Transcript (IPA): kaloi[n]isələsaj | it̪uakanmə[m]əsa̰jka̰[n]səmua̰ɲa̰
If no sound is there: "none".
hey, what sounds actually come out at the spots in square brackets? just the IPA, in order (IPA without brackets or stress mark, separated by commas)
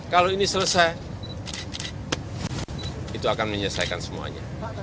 n, ɲ, n